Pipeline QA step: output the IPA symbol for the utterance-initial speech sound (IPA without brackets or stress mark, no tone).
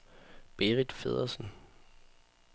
b̥